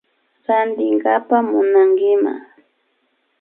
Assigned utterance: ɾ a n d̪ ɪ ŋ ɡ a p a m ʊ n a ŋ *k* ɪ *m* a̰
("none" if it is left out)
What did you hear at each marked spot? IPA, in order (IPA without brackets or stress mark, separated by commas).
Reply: ɡ, m